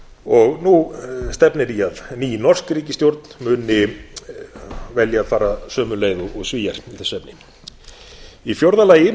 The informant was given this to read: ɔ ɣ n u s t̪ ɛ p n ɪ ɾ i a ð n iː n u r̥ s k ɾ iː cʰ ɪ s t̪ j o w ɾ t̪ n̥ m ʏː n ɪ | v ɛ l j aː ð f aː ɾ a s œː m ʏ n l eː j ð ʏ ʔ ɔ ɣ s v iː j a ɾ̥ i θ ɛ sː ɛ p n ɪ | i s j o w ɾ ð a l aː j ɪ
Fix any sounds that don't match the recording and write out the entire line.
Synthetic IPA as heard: ɔ ɣ n u s t̪ ɛ p n ɪ ɾ i a ð n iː n ɔ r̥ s k ɾ iː c ɪ s t̪ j o w ɾ t̪ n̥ m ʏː n ɪ | v ɛ l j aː ð f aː ɾ a s œː m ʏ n l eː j ð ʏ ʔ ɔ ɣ s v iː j a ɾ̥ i θ ɛ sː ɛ p n ɪ | i f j o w ɾ ð a l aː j ɪ